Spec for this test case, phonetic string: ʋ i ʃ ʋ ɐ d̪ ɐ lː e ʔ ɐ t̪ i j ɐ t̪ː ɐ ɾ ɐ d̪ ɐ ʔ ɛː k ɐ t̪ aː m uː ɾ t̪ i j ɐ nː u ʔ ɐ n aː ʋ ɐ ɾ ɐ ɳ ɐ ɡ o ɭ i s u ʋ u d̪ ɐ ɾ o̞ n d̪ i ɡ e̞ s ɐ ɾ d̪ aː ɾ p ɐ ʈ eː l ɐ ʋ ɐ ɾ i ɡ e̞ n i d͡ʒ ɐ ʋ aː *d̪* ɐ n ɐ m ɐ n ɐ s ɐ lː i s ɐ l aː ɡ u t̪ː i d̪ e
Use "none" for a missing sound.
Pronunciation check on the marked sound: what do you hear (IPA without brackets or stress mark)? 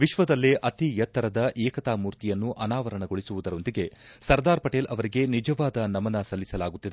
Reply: d̪